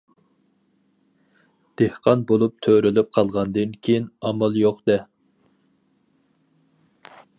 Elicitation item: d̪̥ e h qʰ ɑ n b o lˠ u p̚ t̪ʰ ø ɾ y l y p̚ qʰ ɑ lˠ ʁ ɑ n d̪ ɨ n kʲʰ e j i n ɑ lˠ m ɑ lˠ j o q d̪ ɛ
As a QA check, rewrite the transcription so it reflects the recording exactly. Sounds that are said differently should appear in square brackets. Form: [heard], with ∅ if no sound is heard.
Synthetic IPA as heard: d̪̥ e h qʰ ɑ n b o lˠ u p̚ t̪ʰ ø ɾ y l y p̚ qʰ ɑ lˠ ʁ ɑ n d̪ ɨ n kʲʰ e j i n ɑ [∅] m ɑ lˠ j o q d̪ ɛ